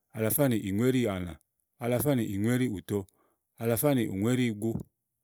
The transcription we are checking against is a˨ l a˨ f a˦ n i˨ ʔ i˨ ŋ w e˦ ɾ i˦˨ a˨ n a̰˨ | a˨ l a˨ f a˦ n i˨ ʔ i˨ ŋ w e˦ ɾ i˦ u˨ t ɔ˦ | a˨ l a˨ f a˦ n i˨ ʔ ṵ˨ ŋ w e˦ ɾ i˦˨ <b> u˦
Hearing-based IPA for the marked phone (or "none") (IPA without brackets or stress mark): ɡ